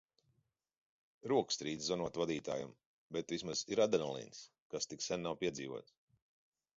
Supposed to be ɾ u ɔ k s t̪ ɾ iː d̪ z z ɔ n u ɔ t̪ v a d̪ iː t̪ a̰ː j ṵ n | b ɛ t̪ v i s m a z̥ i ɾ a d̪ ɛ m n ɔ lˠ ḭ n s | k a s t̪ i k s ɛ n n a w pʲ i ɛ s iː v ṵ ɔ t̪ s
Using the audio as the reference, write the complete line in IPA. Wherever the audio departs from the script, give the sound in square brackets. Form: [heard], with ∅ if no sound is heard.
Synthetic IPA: ɾ u ɔ k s t̪ ɾ iː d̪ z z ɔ n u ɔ t̪ v a d̪ iː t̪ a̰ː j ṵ [m] | b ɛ t̪ v i s m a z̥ i ɾ a d̪ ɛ [∅] n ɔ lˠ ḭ n s | k a s t̪ i k s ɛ n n a w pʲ i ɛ [z] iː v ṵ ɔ t̪ s